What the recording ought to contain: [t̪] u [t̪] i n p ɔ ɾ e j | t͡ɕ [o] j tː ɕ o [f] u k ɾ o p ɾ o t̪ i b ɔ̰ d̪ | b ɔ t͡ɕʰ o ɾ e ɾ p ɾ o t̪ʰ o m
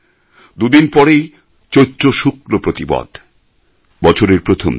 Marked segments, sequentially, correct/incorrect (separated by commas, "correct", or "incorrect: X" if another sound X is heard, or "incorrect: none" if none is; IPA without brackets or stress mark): incorrect: d̪, incorrect: d̪, correct, incorrect: ʃ